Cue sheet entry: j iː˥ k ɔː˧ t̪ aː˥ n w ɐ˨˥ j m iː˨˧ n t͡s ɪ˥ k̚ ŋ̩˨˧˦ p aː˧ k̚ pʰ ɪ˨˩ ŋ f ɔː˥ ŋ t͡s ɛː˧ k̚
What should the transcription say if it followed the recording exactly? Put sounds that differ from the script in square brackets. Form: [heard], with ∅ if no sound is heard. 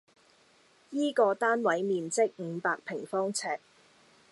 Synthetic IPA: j iː˥ k ɔː˧ t̪ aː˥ n w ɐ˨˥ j m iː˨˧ n t͡s ɪ˥ k̚ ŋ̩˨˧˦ p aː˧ k̚ pʰ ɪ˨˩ ŋ f ɔː˥ ŋ [t͡sʰ] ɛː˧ k̚